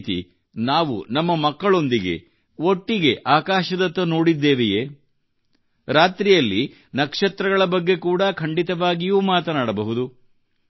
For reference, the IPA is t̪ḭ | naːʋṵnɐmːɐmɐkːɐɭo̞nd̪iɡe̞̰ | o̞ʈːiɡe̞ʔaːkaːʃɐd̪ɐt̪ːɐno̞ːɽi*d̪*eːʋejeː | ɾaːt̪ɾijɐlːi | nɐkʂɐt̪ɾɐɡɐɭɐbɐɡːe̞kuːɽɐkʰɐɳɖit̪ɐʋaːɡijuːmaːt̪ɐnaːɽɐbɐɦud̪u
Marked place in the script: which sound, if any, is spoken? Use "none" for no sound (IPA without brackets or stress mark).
d̪ː